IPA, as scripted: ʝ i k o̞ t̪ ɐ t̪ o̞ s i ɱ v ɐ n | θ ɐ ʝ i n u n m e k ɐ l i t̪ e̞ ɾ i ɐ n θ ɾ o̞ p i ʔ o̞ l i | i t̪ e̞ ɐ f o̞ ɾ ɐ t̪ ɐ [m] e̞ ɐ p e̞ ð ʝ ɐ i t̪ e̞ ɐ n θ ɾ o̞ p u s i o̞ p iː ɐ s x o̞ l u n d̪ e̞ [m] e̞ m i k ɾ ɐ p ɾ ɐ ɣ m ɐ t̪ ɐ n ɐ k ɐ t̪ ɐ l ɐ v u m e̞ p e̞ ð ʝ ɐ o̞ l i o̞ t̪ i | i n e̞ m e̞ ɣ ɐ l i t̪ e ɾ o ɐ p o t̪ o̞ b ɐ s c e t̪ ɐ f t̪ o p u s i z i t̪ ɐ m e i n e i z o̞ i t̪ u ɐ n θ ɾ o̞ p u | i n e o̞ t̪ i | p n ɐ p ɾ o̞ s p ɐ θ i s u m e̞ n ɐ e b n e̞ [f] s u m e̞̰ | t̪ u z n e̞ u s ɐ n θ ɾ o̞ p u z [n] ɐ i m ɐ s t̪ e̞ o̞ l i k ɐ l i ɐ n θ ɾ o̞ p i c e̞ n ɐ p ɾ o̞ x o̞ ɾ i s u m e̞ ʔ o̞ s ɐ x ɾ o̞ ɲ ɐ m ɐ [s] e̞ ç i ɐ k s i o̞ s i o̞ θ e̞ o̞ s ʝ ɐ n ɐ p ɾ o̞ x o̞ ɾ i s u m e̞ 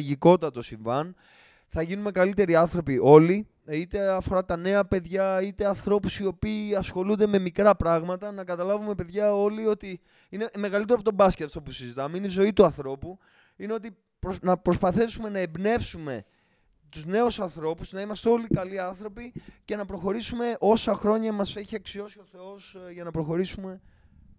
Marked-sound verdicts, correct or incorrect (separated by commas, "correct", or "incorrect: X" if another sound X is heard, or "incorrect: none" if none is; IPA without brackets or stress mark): incorrect: n, correct, correct, correct, correct